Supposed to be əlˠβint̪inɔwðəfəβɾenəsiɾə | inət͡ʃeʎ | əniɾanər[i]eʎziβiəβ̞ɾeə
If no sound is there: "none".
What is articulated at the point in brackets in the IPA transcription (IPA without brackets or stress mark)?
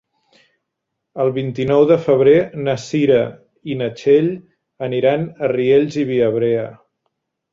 i